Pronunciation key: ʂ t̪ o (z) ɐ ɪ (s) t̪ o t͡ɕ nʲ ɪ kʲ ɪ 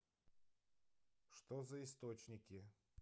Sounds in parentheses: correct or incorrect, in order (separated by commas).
correct, correct